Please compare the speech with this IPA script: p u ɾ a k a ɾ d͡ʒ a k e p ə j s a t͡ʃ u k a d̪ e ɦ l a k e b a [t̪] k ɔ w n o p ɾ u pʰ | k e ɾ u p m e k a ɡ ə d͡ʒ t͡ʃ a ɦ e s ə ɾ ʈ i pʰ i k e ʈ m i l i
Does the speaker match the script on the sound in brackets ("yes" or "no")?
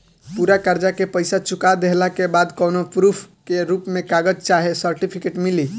no